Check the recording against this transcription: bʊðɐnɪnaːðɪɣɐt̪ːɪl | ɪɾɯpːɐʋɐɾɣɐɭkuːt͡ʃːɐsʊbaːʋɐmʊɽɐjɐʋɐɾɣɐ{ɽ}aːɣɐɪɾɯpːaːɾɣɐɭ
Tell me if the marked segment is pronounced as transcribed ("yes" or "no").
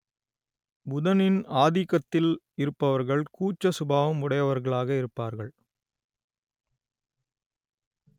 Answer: no